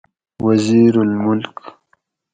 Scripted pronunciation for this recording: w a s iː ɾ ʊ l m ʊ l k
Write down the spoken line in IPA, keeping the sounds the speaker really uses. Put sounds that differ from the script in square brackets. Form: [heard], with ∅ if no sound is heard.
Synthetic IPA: w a [z] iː ɾ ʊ l m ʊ l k